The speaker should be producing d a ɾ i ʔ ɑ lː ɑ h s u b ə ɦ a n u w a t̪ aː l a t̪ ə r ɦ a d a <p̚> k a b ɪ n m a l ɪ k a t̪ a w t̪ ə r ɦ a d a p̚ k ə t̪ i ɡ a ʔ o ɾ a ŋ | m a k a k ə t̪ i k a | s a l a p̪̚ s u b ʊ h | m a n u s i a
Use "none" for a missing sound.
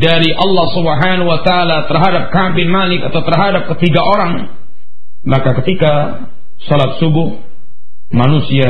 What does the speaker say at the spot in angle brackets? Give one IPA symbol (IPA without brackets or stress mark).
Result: p̚